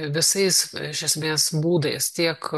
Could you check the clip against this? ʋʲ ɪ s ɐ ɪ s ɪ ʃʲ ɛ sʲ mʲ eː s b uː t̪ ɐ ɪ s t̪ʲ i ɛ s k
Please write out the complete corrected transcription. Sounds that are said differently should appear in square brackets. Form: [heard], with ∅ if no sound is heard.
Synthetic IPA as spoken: ʋʲ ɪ s ɐ ɪ s ɪ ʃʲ ɛ sʲ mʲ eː s b uː [d̪] ɐ ɪ s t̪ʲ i ɛ [∅] k